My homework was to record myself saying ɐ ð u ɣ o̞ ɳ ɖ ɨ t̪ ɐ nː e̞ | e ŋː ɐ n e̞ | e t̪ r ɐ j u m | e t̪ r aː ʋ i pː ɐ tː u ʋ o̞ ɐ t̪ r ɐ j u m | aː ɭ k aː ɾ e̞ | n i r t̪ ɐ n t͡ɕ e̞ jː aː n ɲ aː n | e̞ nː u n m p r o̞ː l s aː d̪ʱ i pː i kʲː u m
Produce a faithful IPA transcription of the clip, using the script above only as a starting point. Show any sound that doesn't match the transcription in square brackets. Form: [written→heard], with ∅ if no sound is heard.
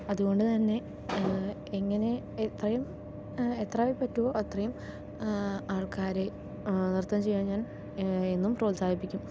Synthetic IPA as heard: ɐ ð u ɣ o̞ ɳ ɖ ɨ t̪ ɐ nː e̞ | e ŋː ɐ n e̞ | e t̪ r ɐ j u m | e t̪ r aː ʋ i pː ɐ tː u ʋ o̞ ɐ t̪ r ɐ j u m | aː ɭ k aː ɾ e̞ | n i r t̪ ɐ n t͡ɕ e̞ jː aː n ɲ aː n | e̞ nː u [n→∅] m p r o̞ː l s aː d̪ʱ i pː i kʲː u m